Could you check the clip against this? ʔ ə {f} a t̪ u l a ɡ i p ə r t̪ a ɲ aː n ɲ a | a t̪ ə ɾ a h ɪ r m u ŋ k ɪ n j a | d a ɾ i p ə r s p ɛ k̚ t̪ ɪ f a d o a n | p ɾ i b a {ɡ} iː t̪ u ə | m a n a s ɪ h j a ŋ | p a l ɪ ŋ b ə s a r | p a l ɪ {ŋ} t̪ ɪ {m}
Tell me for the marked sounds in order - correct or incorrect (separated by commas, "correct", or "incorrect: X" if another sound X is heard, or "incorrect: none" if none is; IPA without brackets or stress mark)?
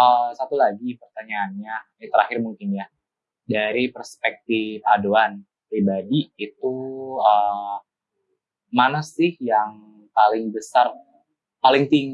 incorrect: s, incorrect: d, correct, incorrect: ŋ